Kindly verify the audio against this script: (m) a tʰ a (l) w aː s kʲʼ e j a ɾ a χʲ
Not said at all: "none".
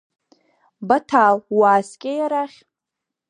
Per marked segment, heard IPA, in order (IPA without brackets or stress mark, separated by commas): b, l